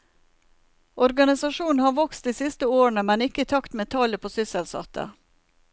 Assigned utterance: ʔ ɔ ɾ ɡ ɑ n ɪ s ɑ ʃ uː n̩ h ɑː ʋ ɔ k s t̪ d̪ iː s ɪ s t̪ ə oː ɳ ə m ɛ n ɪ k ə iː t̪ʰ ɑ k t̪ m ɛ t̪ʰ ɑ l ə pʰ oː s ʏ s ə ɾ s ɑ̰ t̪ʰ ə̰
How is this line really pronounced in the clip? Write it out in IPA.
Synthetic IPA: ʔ ɔ ɾ ɡ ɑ n ɪ s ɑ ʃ uː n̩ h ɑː ʋ ɔ k s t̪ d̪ iː s ɪ s t̪ ə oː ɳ ə m ɛ n ɪ k ə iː t̪ʰ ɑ k t̪ m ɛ t̪ʰ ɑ l ə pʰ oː s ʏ s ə l s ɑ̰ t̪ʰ ə̰